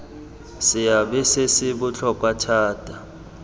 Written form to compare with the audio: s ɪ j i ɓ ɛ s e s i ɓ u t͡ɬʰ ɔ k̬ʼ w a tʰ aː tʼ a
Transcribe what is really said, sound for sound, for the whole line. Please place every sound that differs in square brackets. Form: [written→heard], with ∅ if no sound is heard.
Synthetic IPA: s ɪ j [i→a] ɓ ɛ s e s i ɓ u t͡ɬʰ ɔ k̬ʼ w a tʰ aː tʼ a

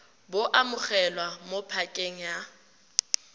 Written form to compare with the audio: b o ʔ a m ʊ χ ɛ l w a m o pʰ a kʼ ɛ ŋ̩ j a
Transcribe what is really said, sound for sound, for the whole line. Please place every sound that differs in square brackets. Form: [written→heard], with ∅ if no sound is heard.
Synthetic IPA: b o ʔ a m ʊ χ ɛ l w a m o pʰ a kʼ [ɛ→e] ŋ̩ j a

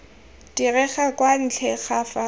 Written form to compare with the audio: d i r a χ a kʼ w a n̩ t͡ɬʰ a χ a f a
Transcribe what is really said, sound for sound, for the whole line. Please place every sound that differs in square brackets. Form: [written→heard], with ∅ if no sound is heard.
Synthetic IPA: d i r [a→ɛ] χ a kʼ w a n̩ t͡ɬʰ [a→ɛ] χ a f a

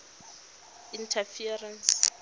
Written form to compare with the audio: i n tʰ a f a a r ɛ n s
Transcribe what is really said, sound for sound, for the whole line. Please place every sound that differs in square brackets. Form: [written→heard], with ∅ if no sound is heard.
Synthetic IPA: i n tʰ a f [a→i] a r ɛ n s

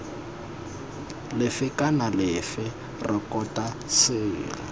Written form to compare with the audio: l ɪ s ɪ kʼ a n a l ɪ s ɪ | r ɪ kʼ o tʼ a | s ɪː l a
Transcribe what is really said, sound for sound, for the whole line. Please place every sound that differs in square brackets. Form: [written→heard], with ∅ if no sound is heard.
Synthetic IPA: l ɪ [s→f] ɪ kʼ a n a l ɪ [s→f] ɪ | r ɪ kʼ [o→ɔ] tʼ a | s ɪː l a

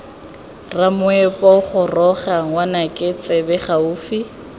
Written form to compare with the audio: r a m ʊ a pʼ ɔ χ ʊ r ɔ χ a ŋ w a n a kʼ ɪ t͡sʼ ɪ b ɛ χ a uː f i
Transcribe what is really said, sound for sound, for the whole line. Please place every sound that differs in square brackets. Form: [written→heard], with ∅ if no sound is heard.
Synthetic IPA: r a m ʊ [a→ɛ] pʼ ɔ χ ʊ r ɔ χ a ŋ w a n a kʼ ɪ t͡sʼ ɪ b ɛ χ a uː f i

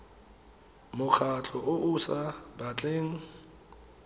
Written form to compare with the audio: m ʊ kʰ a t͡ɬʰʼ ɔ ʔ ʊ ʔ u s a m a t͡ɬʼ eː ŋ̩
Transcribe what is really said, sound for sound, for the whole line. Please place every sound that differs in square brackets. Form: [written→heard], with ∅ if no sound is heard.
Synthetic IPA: m ʊ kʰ a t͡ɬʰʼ ɔ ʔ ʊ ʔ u s a [m→b] a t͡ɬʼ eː ŋ̩

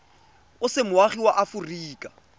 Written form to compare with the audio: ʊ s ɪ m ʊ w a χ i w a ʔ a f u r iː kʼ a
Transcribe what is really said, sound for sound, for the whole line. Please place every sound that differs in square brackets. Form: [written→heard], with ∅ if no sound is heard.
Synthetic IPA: ʊ s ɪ m ʊ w a χ i w a ʔ a f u r iː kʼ a

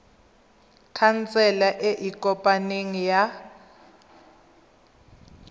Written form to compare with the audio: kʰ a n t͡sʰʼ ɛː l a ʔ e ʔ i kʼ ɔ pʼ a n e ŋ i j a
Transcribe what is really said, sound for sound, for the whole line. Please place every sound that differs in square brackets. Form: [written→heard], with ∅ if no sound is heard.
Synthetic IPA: kʰ a n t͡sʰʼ [ɛː→ɛ] l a ʔ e ʔ i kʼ ɔ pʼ a n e ŋ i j a

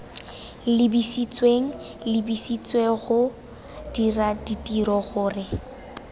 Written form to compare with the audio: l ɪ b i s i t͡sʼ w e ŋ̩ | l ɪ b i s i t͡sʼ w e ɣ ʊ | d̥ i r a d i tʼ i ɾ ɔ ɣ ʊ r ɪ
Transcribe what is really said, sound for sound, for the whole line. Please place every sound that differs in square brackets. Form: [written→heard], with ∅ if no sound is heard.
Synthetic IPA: l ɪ b i s i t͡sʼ w e ŋ̩ | l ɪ b i s i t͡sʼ w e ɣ ʊ | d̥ i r a d i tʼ i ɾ ɔ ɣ [ʊ→ʊː] r ɪ

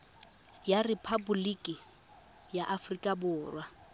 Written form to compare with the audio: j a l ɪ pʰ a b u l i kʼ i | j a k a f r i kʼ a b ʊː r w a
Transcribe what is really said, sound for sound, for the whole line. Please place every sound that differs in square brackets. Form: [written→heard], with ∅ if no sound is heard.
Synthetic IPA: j a [l→r] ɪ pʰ a b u l i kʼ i | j a [k→ʔ] a f r i kʼ a b ʊː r w a

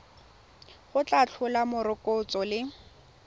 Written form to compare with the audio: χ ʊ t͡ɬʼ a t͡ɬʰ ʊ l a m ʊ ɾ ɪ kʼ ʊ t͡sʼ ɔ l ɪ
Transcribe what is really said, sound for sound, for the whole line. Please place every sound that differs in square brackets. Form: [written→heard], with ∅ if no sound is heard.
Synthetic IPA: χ ʊ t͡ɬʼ a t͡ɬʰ ʊ l a m ʊ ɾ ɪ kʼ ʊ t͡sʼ ɔ l ɪ

